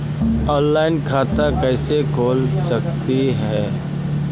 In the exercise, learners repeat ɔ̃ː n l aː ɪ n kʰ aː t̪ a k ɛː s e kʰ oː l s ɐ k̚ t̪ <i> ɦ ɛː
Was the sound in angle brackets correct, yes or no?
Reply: yes